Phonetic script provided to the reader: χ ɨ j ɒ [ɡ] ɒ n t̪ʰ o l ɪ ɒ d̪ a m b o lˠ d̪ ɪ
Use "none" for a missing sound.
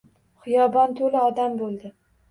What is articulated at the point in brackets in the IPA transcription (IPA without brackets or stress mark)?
b